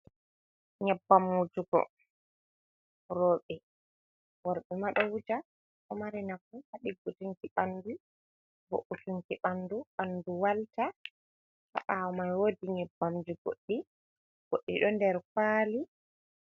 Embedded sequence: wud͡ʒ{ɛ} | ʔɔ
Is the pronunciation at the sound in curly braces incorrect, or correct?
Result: incorrect